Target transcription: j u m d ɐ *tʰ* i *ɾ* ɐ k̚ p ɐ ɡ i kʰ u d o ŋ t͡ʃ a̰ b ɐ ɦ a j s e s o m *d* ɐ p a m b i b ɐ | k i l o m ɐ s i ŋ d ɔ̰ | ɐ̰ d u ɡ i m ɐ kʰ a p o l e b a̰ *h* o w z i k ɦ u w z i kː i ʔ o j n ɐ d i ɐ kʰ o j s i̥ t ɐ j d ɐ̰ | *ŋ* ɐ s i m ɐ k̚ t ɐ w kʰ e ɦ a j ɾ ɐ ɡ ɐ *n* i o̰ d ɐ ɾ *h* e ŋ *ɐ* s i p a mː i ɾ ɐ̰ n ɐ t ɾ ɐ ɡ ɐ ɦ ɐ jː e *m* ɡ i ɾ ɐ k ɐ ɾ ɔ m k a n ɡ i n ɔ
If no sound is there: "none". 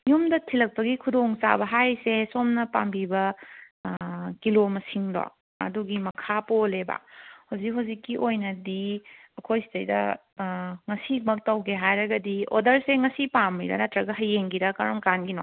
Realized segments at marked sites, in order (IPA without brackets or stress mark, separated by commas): tʰ, l, n, h, ŋ, d, s, ɐ, ŋ